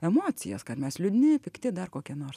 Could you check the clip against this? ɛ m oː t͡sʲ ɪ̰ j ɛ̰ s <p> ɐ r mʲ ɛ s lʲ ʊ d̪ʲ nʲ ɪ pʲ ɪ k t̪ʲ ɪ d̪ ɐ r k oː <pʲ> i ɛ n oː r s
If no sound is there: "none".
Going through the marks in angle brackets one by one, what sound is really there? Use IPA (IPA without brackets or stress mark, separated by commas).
k, kʲ